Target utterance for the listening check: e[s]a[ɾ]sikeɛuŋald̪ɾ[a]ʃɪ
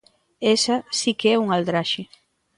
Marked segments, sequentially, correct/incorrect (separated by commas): correct, incorrect, correct